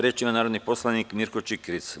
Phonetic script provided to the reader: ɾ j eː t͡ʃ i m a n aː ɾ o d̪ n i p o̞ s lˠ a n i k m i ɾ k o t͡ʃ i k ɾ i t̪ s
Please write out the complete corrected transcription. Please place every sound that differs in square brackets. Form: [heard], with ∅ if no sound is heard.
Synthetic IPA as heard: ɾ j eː t͡ʃ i m a n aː ɾ o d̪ n i p o̞ s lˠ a n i k m i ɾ k o t͡ʃ i k ɾ i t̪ s